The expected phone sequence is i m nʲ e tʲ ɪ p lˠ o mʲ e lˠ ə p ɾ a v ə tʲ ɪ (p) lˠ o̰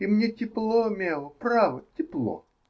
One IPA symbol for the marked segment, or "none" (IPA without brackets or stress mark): p